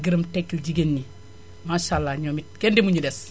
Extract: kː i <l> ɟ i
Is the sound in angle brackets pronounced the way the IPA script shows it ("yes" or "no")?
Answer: yes